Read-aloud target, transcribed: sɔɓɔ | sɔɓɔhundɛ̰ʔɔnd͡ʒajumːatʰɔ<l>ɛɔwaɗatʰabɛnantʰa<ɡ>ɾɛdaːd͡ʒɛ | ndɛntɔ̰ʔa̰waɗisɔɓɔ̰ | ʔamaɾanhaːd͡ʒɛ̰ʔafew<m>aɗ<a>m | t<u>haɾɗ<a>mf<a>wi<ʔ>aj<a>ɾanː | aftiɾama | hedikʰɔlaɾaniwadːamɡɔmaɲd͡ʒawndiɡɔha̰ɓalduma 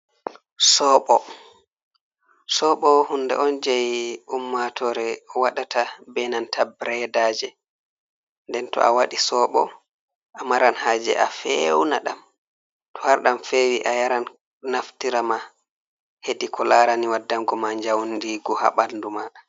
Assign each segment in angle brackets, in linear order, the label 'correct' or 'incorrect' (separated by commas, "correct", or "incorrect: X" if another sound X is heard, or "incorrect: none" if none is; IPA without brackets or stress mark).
incorrect: ɾ, incorrect: b, incorrect: n, correct, incorrect: ɔ, correct, incorrect: e, correct, correct